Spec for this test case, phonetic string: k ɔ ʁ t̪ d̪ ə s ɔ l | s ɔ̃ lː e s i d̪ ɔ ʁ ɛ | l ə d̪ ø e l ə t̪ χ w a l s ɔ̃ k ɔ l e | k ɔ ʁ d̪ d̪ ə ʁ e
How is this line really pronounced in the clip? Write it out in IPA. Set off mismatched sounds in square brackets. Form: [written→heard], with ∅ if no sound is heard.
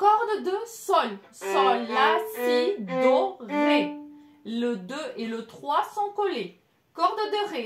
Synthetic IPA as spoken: k ɔ ʁ [t̪→d̪] d̪ ə s ɔ l | s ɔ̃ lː [e→a] s i d̪ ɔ ʁ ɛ | l ə d̪ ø e l ə t̪ χ w a [l→∅] s ɔ̃ k ɔ l e | k ɔ ʁ d̪ d̪ ə ʁ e